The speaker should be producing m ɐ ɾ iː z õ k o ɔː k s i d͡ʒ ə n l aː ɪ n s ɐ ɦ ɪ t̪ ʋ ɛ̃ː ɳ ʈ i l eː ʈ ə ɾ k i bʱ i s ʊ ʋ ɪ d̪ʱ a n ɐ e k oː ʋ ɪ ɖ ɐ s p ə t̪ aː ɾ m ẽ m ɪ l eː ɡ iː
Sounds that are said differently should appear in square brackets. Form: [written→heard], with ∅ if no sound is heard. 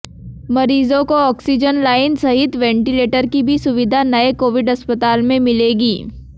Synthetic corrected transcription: m ɐ ɾ iː z õ k o ɔː k s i d͡ʒ ə n l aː ɪ n s ɐ ɦ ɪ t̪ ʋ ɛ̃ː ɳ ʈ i l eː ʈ ə ɾ k i bʱ i s ʊ ʋ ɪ d̪ʱ a n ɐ e k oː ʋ ɪ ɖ ɐ s p ə t̪ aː [ɾ→l] m ẽ m ɪ l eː ɡ iː